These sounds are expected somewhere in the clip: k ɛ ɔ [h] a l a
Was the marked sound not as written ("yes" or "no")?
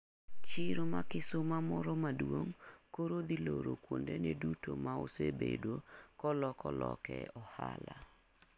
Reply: no